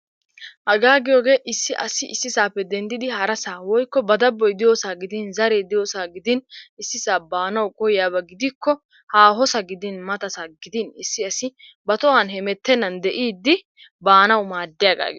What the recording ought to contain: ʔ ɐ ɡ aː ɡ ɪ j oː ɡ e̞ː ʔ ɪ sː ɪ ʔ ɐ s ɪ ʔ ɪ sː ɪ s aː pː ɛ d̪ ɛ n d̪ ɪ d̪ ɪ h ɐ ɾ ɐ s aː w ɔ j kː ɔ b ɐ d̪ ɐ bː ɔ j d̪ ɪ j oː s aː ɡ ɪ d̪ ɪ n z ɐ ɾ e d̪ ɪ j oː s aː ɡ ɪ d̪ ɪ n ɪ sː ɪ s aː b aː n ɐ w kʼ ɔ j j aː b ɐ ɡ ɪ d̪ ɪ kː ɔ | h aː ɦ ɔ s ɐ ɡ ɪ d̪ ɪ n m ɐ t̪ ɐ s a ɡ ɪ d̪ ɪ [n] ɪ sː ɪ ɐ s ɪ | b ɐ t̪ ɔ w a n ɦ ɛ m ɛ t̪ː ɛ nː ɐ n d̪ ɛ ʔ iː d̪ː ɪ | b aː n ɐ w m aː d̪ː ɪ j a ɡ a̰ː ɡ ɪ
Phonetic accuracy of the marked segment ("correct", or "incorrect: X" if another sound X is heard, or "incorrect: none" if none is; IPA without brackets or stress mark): correct